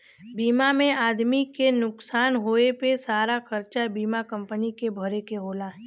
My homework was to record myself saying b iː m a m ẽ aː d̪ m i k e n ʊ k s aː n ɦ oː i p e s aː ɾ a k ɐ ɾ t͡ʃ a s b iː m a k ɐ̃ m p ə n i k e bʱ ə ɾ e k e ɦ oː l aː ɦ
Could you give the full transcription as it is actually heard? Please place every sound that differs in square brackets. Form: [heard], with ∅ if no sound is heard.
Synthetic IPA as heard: b iː m a m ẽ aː d̪ m i k e n ʊ k s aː n ɦ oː [e] p e s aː ɾ a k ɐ ɾ t͡ʃ a [∅] b iː m a k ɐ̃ m p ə n i k e bʱ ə ɾ e k e ɦ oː l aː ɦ